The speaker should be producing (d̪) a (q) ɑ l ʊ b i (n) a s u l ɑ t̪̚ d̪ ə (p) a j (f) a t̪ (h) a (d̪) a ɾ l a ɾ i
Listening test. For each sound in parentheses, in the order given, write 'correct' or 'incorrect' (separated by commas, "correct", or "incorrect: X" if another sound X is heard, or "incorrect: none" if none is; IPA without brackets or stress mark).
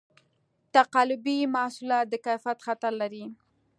incorrect: t̪, correct, incorrect: m, incorrect: k, correct, incorrect: x, incorrect: t̪